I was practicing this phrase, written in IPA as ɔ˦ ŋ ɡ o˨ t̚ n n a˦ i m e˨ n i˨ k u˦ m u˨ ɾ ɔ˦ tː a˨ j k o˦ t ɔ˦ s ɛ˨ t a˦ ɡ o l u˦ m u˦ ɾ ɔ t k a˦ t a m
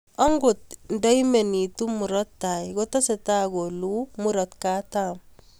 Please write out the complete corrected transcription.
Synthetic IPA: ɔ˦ ŋ ɡ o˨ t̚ n d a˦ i m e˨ n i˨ t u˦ m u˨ ɾ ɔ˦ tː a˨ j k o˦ t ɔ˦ s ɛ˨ t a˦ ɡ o l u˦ m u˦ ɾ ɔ t k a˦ t a m